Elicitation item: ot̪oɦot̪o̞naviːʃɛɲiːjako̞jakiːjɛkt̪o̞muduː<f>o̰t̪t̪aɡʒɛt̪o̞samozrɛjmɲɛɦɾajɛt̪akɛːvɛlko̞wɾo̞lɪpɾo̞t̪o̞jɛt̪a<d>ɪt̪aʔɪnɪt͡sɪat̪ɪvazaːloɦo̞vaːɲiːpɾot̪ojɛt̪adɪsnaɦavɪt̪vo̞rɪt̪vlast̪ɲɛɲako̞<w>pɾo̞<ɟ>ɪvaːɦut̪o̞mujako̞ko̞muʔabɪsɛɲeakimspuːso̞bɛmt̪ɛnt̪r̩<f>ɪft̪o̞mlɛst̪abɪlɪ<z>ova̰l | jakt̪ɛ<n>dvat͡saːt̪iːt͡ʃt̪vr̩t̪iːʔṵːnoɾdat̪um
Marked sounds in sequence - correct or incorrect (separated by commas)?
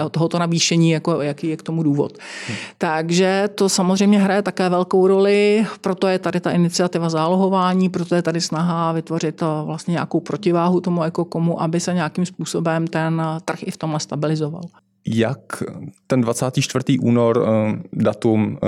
incorrect, correct, correct, incorrect, incorrect, correct, correct